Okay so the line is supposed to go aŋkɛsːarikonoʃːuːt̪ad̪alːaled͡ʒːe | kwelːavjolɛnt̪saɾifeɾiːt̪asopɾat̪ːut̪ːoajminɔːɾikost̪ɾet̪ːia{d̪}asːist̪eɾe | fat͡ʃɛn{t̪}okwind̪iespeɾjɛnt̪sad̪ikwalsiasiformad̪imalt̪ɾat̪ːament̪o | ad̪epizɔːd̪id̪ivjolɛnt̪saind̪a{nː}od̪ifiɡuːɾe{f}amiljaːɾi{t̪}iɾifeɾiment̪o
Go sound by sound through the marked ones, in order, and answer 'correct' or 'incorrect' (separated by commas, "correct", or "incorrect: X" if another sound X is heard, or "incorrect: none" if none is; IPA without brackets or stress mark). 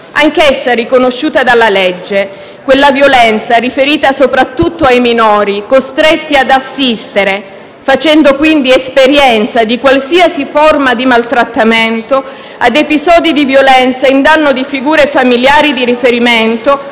correct, incorrect: d̪, correct, correct, incorrect: d̪